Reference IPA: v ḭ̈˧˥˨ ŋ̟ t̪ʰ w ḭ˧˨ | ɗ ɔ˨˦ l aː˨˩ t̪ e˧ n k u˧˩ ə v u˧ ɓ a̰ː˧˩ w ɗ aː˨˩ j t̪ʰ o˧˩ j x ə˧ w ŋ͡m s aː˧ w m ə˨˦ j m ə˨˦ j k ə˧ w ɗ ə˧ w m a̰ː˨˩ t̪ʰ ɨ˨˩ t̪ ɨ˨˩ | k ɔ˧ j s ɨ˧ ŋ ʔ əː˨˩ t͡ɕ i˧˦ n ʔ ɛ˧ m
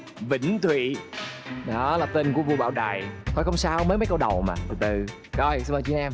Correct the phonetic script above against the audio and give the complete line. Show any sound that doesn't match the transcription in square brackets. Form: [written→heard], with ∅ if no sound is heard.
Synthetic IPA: v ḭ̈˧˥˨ ŋ̟ t̪ʰ w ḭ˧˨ | ɗ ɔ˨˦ l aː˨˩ t̪ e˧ n k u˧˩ ə v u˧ ɓ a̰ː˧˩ w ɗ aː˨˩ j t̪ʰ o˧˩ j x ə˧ w ŋ͡m s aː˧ w m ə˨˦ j m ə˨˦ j k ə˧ w ɗ [ə˧→ə˨˩] w m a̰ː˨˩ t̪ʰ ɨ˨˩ t̪ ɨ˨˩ | k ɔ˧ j s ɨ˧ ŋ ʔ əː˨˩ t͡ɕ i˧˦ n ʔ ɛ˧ m